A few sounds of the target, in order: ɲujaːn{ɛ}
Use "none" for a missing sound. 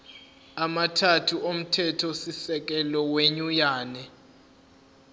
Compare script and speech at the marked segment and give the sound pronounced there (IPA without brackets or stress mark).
ɛ